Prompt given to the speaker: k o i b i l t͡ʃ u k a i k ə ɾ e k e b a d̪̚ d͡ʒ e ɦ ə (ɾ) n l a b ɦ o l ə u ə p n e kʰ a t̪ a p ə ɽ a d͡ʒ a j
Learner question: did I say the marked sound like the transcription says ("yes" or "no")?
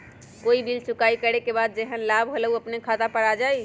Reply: no